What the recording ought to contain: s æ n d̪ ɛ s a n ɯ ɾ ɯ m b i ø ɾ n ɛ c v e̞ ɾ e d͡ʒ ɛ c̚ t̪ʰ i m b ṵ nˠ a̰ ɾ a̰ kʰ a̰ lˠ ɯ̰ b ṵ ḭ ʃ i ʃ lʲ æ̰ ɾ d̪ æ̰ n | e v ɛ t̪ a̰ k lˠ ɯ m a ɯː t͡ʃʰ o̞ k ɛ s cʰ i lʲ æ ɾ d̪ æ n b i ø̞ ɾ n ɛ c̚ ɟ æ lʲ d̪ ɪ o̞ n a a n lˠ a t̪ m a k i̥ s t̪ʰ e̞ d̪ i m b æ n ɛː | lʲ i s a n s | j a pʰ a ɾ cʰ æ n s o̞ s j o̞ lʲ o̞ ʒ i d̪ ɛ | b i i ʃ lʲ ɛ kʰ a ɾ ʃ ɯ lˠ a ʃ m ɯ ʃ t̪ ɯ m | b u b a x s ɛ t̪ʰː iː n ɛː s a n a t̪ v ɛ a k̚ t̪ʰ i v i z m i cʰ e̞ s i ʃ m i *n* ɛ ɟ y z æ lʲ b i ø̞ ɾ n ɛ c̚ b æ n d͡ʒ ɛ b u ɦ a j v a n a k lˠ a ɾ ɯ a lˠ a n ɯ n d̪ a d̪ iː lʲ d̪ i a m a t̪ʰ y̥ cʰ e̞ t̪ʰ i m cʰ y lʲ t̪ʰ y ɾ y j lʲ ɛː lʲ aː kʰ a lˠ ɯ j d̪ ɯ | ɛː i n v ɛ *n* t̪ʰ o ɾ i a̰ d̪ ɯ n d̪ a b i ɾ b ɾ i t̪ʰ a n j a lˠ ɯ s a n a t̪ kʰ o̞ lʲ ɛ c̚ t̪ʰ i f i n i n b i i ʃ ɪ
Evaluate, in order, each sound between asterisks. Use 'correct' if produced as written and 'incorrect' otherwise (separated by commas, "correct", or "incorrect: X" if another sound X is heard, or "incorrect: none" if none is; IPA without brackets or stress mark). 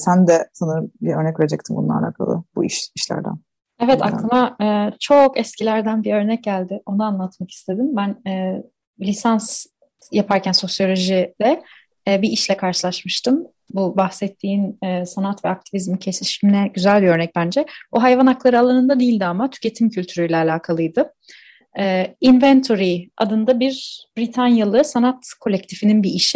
correct, correct